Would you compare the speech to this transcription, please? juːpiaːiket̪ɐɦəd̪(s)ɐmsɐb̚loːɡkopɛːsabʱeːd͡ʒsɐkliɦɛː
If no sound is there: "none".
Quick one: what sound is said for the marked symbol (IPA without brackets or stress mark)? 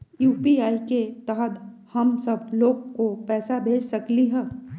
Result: h